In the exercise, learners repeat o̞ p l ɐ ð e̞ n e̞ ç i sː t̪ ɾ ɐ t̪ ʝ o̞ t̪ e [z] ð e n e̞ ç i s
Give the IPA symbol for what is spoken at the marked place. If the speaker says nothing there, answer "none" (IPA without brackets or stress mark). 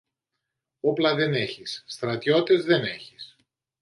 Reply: z